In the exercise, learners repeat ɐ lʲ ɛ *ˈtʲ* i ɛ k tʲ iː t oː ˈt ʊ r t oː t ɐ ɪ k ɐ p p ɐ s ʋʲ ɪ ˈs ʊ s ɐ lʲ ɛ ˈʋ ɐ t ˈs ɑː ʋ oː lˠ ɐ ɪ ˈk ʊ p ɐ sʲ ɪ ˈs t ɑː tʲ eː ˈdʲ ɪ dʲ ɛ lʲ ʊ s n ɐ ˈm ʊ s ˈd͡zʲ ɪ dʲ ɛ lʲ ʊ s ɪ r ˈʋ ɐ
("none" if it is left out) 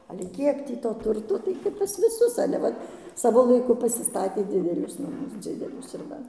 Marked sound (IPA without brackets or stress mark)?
kʲ